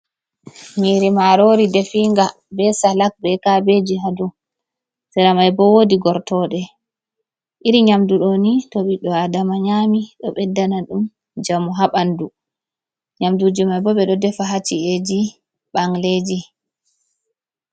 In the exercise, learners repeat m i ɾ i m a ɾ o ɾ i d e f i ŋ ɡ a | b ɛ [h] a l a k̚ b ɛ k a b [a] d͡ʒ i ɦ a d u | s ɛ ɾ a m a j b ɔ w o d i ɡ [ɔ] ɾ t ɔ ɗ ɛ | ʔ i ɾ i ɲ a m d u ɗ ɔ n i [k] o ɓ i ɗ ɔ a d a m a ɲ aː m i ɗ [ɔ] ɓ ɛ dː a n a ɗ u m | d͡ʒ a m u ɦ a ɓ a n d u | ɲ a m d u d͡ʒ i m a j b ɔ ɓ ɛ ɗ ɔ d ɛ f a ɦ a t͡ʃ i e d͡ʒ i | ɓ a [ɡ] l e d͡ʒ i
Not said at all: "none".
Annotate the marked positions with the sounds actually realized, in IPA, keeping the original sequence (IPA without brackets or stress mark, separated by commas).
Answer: s, e, ɔ, t, ɔ, ŋ